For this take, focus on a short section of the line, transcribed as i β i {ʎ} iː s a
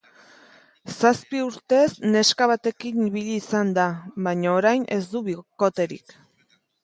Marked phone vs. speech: correct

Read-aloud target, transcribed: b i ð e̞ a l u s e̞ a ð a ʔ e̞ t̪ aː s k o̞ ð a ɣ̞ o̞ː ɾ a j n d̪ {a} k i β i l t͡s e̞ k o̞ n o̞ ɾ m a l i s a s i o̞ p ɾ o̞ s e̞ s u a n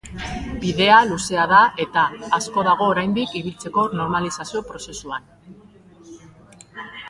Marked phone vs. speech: incorrect: i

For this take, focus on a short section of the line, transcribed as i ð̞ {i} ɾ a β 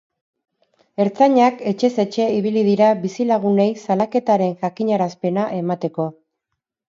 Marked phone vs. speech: correct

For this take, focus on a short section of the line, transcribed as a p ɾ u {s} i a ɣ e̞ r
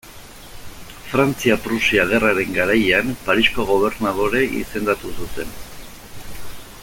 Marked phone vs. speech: correct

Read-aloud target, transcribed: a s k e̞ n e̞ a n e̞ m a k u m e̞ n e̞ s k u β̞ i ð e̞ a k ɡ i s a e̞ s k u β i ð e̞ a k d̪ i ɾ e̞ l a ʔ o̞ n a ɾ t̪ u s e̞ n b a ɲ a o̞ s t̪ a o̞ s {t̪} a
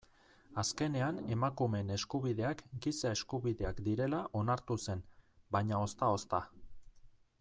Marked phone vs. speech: correct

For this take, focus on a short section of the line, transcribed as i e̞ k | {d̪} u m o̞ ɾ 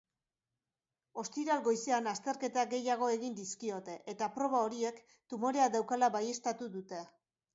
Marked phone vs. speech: incorrect: t̪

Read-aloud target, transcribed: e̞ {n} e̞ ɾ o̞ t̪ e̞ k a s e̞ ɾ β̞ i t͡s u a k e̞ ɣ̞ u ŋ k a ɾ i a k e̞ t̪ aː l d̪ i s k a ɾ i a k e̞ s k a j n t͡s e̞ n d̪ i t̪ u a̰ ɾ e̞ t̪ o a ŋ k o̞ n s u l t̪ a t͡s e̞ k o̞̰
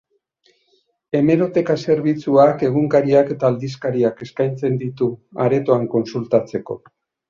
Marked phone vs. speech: incorrect: m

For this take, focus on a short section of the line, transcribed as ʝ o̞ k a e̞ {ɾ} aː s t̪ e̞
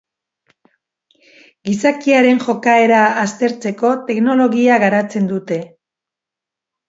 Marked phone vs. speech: correct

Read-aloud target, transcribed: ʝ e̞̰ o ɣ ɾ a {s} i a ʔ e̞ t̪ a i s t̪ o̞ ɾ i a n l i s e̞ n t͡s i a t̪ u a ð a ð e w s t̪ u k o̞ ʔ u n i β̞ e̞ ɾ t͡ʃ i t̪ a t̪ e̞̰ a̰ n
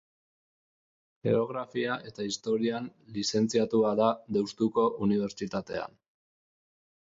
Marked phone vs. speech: incorrect: f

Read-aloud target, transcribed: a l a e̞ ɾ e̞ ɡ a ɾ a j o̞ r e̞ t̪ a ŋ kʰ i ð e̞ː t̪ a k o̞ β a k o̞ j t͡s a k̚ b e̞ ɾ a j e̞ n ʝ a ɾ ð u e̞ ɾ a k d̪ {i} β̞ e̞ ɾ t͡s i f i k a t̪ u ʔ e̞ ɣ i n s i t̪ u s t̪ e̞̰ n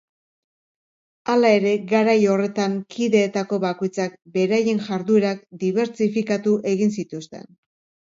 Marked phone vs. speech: correct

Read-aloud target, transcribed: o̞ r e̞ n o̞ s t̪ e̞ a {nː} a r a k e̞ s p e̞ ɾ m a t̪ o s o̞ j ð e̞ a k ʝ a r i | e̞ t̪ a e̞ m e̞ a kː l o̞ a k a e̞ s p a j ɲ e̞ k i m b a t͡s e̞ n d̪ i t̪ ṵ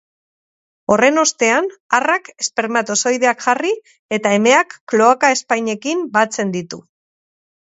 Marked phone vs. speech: incorrect: n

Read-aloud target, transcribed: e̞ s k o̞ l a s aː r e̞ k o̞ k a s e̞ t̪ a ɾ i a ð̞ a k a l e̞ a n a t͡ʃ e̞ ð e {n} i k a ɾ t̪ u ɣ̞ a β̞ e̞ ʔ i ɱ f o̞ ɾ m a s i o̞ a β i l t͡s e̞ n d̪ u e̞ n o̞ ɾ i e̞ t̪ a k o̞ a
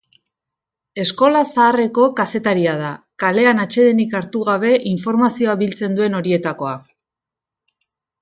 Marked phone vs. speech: correct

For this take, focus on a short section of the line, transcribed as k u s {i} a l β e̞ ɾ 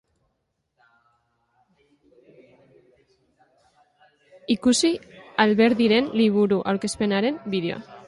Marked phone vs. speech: correct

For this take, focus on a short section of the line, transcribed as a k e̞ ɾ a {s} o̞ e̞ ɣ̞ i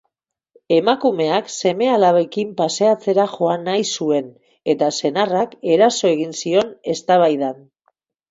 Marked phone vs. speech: correct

